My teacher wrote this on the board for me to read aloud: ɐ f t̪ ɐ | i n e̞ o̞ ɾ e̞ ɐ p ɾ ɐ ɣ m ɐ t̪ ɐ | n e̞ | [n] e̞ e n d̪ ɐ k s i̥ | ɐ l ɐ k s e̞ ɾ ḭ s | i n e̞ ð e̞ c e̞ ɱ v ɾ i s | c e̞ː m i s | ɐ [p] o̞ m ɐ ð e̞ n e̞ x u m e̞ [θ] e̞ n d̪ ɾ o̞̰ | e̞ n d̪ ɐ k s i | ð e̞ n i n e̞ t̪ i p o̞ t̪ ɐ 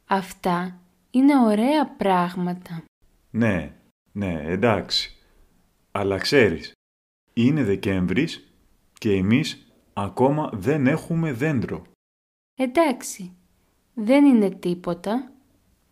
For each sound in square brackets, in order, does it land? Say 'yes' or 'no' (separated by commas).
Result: yes, no, no